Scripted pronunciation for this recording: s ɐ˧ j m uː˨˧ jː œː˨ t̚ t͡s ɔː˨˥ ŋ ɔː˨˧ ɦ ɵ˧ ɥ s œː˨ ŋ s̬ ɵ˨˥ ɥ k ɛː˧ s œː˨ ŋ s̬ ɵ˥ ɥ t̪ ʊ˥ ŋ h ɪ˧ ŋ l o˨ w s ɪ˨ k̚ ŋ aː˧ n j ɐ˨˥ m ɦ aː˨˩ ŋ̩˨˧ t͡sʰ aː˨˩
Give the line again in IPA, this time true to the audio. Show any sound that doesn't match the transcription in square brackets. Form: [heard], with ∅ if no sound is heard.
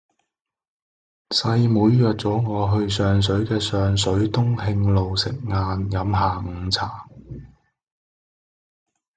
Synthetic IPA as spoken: s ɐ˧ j m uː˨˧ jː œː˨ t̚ t͡s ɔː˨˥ ŋ ɔː˨˧ ɦ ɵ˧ ɥ s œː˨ ŋ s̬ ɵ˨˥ ɥ k ɛː˧ s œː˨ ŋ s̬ [ɵ˨˥] ɥ t̪ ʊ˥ ŋ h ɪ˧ ŋ l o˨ w s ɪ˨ k̚ ŋ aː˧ n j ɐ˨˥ m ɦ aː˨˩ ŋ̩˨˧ t͡sʰ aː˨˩